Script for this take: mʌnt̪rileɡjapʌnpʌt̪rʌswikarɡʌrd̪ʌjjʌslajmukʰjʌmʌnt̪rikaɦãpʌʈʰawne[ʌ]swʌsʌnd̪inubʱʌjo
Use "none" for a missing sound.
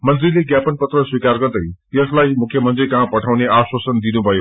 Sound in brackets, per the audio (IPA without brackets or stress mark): a